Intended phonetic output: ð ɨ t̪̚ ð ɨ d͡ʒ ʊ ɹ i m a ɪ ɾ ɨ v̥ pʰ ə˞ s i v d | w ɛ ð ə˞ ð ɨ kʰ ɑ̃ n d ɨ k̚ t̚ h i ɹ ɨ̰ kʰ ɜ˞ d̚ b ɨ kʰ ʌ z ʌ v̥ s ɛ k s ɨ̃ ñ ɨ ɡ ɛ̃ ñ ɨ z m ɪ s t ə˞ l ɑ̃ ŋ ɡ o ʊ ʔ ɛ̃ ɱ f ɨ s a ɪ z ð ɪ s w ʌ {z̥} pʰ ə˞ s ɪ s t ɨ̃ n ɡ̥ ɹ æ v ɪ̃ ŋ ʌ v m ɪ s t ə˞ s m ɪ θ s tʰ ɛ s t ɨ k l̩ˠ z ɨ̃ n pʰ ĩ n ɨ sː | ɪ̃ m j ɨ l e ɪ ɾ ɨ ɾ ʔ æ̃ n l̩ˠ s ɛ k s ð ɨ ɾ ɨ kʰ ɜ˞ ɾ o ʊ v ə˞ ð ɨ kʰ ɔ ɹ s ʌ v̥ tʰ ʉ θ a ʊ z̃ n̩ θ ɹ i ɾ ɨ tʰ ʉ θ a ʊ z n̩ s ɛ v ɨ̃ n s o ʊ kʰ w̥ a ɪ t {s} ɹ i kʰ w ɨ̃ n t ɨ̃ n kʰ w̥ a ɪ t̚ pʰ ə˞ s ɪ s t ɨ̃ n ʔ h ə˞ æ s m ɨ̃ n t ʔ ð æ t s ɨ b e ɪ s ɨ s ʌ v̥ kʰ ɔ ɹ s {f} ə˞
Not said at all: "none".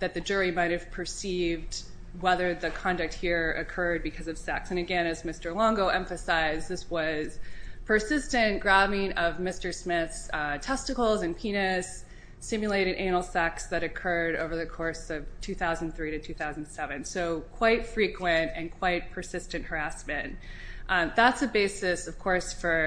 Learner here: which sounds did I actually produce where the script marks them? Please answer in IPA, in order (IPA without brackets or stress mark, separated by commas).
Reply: z̥, f, f